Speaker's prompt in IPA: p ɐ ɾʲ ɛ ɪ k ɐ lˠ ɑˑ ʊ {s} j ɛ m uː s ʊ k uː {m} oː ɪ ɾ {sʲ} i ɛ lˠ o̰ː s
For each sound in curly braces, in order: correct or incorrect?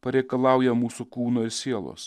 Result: incorrect: none, incorrect: n, correct

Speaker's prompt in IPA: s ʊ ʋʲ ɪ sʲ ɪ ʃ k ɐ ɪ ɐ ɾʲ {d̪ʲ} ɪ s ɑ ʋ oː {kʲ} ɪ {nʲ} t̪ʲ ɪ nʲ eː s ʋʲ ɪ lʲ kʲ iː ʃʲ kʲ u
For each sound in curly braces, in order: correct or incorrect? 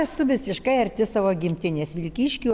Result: incorrect: t̪ʲ, incorrect: ɡʲ, incorrect: mʲ

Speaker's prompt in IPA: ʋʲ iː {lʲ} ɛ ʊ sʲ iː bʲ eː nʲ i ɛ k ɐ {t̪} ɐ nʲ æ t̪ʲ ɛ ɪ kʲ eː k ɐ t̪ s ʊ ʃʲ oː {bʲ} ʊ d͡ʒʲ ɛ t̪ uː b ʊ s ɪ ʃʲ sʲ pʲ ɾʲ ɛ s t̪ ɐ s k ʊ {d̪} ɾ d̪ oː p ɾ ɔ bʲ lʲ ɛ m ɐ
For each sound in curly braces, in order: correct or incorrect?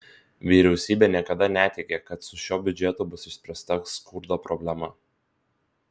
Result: incorrect: ɾʲ, incorrect: d̪, correct, incorrect: none

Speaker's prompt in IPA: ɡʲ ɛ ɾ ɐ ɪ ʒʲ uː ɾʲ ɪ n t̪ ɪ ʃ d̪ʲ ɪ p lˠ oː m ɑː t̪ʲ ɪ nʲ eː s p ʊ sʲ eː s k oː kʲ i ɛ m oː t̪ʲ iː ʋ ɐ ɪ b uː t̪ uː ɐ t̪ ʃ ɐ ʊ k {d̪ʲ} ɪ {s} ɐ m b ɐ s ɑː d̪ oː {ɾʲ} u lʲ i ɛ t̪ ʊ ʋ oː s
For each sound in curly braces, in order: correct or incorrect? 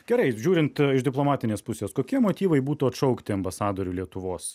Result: incorrect: t̪ʲ, incorrect: none, correct

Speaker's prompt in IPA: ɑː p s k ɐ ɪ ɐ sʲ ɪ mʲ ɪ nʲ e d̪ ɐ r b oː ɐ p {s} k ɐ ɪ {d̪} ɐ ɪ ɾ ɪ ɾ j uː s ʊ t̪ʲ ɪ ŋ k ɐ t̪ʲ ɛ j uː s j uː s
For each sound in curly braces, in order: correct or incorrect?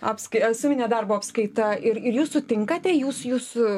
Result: correct, incorrect: t̪

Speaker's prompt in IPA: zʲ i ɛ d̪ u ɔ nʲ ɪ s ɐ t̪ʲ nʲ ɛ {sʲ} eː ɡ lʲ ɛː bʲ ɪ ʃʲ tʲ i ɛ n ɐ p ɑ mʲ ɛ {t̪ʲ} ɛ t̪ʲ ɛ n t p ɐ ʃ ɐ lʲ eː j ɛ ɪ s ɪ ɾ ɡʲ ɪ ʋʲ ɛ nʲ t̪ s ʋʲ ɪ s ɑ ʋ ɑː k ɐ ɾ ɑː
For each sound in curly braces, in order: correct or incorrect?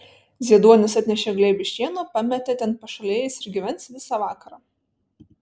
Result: incorrect: ʃʲ, correct

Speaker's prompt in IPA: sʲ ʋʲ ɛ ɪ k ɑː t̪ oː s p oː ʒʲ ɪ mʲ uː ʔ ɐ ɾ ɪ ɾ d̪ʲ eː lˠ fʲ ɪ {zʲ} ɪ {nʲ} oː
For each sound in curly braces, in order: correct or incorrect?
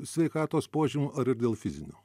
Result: correct, correct

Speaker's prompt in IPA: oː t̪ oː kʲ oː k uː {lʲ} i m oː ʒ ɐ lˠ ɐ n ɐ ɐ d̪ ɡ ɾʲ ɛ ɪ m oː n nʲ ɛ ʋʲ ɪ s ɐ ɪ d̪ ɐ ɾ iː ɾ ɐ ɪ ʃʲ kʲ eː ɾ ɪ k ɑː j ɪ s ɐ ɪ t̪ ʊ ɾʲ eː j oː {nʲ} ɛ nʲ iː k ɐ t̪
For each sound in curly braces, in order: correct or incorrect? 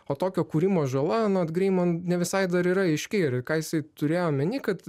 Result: incorrect: ɾʲ, incorrect: mʲ

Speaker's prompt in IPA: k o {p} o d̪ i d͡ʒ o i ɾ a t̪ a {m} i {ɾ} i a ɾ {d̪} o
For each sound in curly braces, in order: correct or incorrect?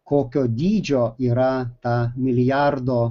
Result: incorrect: k, correct, incorrect: l, correct

